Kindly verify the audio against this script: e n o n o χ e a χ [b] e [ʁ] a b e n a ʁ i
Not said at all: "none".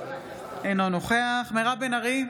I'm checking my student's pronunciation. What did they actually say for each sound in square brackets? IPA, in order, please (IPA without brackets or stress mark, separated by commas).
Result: m, ʁ